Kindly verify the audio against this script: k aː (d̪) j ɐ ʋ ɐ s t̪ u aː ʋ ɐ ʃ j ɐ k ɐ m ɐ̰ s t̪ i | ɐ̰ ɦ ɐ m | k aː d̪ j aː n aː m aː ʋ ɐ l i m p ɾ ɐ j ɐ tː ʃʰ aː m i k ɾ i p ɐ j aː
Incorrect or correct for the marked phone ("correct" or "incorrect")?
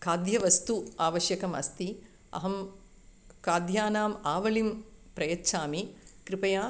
correct